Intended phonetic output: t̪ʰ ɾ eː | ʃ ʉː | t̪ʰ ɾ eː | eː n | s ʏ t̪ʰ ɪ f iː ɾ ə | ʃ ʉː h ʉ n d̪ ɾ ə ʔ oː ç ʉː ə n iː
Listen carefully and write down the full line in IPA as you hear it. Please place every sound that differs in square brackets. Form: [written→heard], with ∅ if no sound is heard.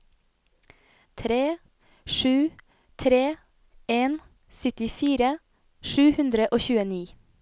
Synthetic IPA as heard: t̪ʰ ɾ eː | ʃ ʉː | t̪ʰ ɾ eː | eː n | s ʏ [t̪ʰ→t̪] ɪ f iː ɾ ə | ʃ ʉː h ʉ n d̪ ɾ ə ʔ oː ç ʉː ə n iː

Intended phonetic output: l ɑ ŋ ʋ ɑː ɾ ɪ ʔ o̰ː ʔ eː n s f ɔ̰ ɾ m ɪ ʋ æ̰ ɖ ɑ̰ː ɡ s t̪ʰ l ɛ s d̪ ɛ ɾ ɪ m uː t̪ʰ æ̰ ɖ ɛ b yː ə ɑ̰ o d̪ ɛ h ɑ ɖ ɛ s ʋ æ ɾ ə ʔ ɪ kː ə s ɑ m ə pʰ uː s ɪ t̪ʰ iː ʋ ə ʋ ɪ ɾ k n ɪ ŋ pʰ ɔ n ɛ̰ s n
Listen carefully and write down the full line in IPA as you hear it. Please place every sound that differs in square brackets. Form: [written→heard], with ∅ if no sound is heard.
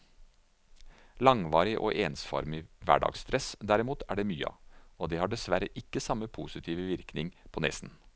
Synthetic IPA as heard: l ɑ ŋ ʋ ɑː ɾ ɪ ʔ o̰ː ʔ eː n s f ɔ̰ ɾ m ɪ ʋ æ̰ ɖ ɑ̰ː ɡ s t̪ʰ [l→ɾ] ɛ s d̪ [ɛ→æ] ɾ ɪ m uː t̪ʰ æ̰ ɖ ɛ [b→m] yː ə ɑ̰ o d̪ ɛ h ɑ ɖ ɛ s ʋ æ ɾ ə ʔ ɪ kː ə s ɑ m ə pʰ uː s ɪ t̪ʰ iː ʋ ə ʋ ɪ ɾ k n ɪ ŋ pʰ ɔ n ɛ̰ s n

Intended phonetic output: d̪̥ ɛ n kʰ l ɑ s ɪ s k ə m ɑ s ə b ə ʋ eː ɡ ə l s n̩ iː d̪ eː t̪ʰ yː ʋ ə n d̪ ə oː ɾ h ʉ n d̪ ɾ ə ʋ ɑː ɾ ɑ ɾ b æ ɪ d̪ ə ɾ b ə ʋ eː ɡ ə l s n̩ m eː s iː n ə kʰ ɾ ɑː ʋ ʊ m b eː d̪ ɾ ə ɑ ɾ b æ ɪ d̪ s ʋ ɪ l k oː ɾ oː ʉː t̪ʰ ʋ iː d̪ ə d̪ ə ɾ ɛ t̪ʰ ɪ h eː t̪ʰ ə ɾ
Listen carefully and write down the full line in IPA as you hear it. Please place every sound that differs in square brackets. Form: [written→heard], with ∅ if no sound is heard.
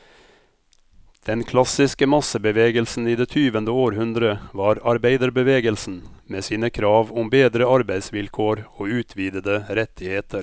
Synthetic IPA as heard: d̪̥ ɛ n kʰ l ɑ s ɪ s k ə m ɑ s ə b ə ʋ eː ɡ ə l s n̩ iː d̪ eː t̪ʰ yː ʋ ə n d̪ ə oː ɾ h ʉ n d̪ ɾ ə ʋ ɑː ɾ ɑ ɾ b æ ɪ d̪ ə ɾ b ə ʋ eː ɡ ə l s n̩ m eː s iː n ə kʰ ɾ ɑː ʋ ʊ m b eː d̪ ɾ ə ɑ ɾ b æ ɪ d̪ s ʋ ɪ l [k→kʰ] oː ɾ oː ʉː t̪ʰ ʋ iː d̪ ə d̪ ə ɾ ɛ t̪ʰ ɪ h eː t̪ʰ ə ɾ

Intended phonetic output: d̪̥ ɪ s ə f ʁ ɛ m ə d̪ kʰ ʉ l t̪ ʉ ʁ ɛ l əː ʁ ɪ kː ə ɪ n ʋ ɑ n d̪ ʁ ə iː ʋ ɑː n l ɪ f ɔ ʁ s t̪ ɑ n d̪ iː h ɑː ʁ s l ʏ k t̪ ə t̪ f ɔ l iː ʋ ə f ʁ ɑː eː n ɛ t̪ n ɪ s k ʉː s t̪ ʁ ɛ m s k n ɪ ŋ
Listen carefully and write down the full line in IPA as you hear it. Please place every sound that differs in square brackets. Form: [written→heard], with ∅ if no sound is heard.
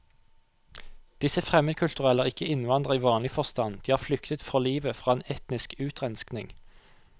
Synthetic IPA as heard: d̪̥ ɪ s ə f ʁ ɛ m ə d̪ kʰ ʉ l t̪ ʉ ʁ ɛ l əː ʁ ɪ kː ə ɪ n ʋ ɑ n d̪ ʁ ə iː ʋ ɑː n l ɪ f ɔ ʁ s t̪ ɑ n d̪ iː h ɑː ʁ [s→f] l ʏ k t̪ ə t̪ f ɔ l iː ʋ ə f ʁ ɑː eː n ɛ t̪ n ɪ s k ʉː [s→∅] t̪ ʁ ɛ [m→n] s k n ɪ ŋ

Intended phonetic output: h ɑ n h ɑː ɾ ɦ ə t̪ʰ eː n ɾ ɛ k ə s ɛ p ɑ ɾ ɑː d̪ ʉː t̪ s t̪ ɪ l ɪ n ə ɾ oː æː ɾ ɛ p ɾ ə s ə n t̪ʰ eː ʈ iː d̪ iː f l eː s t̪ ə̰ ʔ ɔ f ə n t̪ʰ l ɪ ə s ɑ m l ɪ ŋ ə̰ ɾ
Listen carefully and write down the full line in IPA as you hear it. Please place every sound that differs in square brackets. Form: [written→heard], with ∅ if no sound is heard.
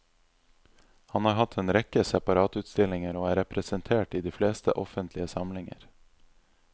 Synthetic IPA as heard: h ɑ n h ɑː ɾ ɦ [ə→ɑ] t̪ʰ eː n ɾ ɛ k ə s ɛ p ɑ ɾ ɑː [d̪→t̪] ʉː t̪ s t̪ ɪ l ɪ [n→ŋ] ə ɾ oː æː ɾ ɛ p ɾ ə s ə n t̪ʰ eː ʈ iː d̪ iː f l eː s t̪ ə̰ ʔ ɔ f ə n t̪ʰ l ɪ ə s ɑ m l ɪ ŋ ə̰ ɾ

